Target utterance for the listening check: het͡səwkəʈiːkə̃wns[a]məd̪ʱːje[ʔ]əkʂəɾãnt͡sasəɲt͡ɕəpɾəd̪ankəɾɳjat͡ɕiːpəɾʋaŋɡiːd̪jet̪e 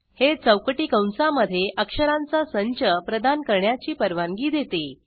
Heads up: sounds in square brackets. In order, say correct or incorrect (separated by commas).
correct, correct